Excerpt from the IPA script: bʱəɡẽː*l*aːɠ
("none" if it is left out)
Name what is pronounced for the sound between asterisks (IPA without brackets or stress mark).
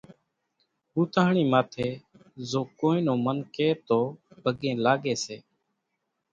l